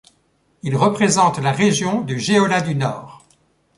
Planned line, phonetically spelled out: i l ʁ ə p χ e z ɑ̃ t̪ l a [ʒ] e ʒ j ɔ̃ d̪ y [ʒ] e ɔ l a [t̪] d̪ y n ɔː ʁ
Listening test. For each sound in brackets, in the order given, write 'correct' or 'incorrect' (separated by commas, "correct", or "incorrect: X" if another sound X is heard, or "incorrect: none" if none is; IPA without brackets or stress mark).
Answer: incorrect: ʁ, correct, incorrect: none